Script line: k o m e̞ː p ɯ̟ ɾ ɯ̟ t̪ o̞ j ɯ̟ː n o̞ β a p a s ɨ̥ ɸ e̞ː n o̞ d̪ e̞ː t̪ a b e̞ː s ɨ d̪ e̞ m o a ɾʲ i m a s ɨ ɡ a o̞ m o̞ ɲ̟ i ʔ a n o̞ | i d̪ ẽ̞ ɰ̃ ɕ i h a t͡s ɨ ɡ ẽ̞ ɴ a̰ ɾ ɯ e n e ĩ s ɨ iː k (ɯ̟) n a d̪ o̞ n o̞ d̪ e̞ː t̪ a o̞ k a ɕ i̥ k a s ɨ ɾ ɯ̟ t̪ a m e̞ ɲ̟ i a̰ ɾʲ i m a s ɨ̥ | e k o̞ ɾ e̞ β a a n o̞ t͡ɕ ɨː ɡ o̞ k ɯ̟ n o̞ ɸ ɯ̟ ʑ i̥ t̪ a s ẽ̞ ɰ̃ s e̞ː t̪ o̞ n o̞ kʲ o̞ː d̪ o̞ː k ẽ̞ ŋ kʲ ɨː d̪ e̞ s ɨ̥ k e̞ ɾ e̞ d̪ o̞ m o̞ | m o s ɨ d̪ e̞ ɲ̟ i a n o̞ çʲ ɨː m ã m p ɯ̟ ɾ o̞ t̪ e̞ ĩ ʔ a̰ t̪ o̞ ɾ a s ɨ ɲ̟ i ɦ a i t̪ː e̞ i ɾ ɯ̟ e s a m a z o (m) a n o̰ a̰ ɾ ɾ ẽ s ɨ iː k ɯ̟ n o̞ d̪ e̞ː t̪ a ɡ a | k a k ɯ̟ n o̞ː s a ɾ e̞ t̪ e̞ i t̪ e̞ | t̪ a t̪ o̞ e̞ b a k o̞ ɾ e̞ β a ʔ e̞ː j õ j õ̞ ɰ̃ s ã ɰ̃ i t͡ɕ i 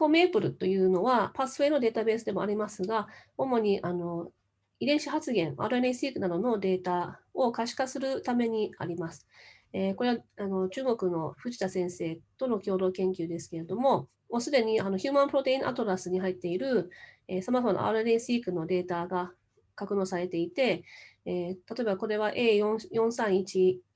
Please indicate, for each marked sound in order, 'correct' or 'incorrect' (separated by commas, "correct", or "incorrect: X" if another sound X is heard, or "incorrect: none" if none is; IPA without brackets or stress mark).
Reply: correct, correct